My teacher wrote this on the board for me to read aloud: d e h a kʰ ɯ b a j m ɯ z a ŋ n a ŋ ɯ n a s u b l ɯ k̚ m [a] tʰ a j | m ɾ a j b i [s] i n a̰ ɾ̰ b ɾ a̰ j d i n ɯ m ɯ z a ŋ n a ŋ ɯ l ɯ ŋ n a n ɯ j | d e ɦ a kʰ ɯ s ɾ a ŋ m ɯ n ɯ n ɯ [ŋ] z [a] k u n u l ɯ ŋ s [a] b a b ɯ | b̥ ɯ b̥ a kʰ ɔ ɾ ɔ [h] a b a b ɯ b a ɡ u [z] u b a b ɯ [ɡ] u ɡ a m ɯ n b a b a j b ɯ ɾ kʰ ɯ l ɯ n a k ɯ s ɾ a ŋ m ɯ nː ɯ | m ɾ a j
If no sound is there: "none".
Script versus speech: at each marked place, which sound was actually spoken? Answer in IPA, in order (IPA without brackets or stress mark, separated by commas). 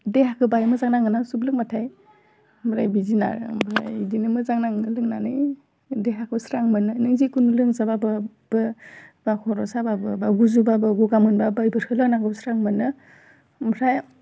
a, z, ŋ, i, a, s, z, ɡ